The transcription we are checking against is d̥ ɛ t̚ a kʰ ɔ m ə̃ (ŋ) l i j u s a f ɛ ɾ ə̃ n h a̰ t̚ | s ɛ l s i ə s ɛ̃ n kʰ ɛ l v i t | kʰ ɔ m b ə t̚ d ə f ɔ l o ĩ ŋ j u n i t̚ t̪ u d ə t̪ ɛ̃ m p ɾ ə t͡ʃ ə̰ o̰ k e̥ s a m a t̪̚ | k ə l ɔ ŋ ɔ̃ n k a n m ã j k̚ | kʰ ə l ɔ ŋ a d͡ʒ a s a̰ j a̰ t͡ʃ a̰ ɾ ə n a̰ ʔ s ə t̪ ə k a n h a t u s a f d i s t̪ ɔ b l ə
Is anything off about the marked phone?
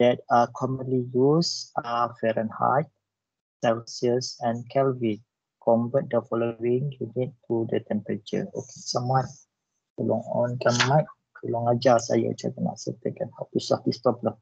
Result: yes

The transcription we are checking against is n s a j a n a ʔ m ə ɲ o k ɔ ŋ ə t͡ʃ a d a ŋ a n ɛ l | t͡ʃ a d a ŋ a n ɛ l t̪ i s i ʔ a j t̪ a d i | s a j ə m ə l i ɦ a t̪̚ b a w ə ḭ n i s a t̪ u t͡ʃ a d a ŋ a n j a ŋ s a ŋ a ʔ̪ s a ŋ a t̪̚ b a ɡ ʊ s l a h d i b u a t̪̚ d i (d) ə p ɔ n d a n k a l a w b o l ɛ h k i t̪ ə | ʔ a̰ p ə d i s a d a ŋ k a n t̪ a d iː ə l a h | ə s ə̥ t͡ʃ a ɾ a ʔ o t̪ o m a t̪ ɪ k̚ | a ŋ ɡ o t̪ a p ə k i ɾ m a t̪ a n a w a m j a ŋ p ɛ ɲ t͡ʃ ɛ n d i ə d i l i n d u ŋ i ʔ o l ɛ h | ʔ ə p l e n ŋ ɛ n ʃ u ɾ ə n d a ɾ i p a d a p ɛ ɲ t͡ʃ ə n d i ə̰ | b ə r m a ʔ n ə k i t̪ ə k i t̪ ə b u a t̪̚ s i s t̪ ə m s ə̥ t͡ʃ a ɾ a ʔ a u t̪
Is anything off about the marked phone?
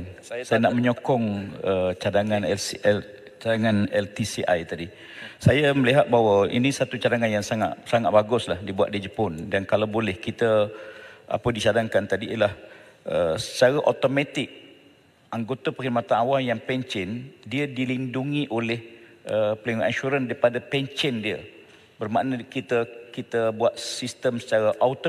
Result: yes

